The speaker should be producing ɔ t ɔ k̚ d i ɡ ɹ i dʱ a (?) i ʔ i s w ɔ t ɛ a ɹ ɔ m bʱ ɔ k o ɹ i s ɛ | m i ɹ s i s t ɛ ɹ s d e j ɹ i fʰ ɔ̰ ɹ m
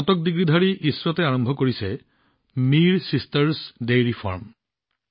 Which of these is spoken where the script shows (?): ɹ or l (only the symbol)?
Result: ɹ